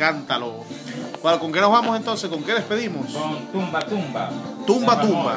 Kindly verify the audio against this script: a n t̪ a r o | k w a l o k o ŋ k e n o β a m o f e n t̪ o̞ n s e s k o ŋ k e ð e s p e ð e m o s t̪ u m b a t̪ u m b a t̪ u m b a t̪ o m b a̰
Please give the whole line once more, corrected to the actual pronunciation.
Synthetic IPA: a n t̪ a l o | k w a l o k o ŋ k e n o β a m o s e n t̪ o̞ n s e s k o ŋ k e ð e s p e ð i m o s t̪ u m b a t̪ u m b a t̪ u m b a t̪ u m b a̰